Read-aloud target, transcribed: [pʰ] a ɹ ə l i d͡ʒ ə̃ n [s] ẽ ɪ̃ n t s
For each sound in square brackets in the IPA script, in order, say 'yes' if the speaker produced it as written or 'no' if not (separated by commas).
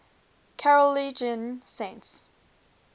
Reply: no, yes